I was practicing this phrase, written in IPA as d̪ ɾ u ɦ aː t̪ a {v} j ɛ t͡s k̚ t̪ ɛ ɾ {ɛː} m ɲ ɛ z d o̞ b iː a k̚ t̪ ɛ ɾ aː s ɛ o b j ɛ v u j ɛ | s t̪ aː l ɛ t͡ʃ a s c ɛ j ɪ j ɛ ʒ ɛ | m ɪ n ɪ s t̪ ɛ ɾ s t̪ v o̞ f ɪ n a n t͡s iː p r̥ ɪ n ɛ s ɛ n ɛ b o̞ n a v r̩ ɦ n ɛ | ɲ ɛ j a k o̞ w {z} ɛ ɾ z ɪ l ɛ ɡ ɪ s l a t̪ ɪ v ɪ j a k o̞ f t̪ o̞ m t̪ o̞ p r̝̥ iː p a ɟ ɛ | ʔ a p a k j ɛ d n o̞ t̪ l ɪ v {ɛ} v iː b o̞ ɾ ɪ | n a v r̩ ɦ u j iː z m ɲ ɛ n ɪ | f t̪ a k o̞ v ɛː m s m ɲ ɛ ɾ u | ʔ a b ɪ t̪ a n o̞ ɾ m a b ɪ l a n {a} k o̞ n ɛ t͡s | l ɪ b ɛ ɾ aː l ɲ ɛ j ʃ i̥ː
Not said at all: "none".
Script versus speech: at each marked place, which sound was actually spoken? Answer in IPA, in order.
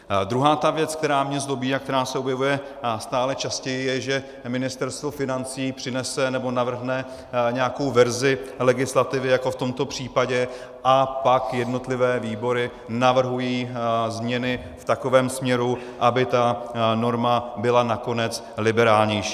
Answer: v, aː, v, ɛː, a

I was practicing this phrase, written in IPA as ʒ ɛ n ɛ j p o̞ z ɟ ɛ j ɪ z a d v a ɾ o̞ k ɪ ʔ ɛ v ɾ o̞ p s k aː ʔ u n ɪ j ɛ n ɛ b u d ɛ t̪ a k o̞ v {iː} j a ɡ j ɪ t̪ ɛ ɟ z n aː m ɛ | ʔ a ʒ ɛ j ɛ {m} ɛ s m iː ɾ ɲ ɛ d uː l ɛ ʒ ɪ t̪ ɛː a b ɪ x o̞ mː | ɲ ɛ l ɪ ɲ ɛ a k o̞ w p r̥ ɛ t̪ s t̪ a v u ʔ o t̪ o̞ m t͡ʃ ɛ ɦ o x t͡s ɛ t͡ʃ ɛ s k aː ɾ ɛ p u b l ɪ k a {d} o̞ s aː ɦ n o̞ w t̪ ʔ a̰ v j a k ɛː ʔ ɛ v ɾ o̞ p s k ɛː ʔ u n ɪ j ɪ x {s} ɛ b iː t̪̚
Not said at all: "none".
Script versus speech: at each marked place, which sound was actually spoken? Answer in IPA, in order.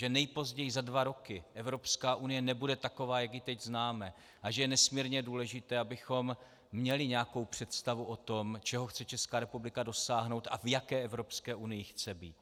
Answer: aː, n, d, t͡s

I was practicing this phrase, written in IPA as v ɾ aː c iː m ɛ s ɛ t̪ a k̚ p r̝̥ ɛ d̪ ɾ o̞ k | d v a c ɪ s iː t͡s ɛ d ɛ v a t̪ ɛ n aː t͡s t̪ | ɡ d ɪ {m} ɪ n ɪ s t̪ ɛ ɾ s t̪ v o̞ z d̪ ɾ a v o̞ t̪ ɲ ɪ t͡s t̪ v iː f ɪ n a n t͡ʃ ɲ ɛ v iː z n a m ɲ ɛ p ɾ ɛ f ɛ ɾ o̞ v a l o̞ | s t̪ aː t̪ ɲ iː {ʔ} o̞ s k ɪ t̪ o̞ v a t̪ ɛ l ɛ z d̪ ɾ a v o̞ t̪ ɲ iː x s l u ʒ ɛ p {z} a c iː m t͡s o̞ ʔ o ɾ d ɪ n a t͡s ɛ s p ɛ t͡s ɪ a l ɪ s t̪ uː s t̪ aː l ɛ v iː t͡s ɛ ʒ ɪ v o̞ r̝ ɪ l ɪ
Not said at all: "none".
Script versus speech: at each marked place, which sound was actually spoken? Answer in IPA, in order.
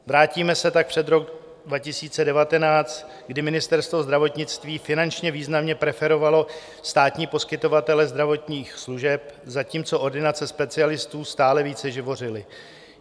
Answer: m, p, z

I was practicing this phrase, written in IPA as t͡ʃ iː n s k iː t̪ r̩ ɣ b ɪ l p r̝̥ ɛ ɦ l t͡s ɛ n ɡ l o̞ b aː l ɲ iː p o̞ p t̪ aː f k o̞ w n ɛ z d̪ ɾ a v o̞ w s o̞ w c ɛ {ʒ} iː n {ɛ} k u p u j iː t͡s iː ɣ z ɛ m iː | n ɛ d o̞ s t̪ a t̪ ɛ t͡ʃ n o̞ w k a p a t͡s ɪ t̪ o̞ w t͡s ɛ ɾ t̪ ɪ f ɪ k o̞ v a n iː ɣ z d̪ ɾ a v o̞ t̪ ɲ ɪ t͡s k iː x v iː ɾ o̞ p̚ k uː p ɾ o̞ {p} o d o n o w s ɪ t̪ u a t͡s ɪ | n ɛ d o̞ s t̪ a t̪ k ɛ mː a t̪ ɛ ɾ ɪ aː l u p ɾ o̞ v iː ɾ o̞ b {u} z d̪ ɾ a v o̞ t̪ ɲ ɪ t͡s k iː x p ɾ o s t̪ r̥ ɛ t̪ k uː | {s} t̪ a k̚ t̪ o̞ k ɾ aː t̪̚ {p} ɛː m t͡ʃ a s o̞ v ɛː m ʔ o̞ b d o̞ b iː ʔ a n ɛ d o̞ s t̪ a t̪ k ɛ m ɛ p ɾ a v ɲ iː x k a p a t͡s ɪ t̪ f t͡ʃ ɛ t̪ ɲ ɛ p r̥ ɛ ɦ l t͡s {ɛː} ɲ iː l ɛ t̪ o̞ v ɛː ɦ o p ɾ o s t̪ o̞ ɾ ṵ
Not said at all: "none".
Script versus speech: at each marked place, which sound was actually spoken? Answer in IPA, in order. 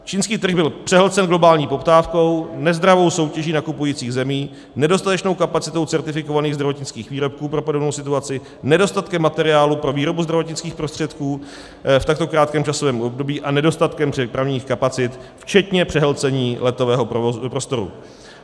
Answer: ʒ, a, p, u, f, k, ɛ

